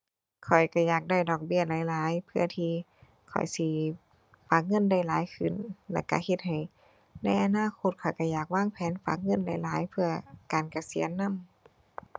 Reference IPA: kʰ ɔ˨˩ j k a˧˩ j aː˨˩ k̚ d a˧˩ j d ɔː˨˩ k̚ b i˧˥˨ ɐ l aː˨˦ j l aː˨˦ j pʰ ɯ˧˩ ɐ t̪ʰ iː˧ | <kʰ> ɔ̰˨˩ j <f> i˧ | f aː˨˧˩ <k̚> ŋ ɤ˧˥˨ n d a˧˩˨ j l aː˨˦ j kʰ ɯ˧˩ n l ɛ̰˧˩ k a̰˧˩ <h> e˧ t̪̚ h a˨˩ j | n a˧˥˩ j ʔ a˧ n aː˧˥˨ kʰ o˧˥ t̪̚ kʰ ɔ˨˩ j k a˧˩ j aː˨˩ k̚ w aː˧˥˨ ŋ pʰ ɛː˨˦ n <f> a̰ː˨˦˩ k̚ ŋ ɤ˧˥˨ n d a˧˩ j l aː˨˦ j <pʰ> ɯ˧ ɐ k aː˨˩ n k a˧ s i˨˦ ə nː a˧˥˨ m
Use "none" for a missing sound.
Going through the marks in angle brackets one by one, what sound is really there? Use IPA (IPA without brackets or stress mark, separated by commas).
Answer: kʰ, s, k̚, h, f, pʰ